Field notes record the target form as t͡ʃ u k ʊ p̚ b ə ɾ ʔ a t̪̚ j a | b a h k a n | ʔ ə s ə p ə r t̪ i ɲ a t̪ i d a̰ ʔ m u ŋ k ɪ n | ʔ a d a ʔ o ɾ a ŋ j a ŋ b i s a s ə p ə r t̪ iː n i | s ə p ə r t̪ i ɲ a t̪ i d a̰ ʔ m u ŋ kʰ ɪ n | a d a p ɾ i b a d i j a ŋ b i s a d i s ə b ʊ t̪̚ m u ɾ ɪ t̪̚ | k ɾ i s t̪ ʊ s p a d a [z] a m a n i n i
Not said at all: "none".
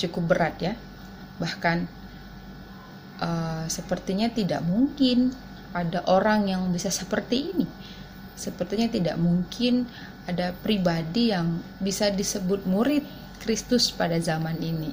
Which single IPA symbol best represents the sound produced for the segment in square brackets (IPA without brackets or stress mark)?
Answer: z